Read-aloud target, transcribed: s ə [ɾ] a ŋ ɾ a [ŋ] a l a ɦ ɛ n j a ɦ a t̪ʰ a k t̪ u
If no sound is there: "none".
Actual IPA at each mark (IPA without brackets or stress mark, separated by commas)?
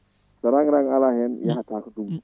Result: ɾ, ŋ